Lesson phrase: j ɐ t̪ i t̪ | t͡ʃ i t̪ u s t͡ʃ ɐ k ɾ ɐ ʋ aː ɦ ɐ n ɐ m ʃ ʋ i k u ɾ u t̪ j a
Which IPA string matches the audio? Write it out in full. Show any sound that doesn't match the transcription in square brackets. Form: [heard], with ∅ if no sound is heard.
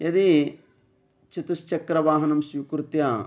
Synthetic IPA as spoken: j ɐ [d̪] i [∅] | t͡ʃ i t̪ u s t͡ʃ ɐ k ɾ ɐ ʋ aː ɦ ɐ n ɐ m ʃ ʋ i k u ɾ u t̪ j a